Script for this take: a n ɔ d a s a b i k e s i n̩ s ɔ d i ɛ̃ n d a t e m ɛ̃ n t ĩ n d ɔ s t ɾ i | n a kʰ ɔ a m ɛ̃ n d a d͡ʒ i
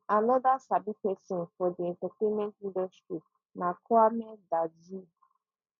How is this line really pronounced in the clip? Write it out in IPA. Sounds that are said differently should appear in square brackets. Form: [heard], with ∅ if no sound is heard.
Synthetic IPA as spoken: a n ɔ d a s a b i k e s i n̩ [f] ɔ d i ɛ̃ n [t] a t e m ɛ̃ n t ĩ n d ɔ s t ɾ i | n a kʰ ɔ a m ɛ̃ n d a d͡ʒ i

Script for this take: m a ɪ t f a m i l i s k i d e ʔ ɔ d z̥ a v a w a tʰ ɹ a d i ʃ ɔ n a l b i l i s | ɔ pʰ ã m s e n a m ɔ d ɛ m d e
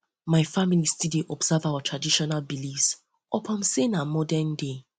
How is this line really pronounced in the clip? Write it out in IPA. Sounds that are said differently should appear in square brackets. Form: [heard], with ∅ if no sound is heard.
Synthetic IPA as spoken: m a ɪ [∅] f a m i l i s [t] i d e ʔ ɔ [b] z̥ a v a w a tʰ ɹ a d i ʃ ɔ n a l b i l i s | ɔ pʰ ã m s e n a m ɔ d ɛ [n] d e

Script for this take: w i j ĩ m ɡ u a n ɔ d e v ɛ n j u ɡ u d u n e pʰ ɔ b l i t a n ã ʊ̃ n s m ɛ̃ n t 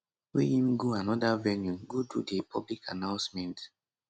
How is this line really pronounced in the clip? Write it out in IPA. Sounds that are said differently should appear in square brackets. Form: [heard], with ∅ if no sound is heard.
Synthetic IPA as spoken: w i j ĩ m ɡ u a n ɔ d [a] v ɛ n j u ɡ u d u [d] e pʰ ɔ b l i [k] a n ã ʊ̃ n s m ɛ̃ n t

